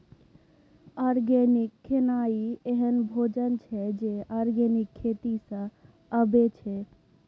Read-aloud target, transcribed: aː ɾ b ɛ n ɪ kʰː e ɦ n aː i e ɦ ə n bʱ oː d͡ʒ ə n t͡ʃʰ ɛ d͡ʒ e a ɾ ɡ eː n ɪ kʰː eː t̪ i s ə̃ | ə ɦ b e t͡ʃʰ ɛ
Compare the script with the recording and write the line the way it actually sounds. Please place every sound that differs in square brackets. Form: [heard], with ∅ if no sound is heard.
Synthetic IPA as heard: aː ɾ [ɡ] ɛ n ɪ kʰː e [∅] n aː i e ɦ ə n bʱ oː d͡ʒ ə n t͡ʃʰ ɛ d͡ʒ e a ɾ ɡ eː n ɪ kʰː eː t̪ i s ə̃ | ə [∅] b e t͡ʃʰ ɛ